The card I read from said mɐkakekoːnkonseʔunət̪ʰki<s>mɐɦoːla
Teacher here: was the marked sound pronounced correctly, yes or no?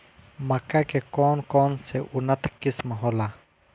yes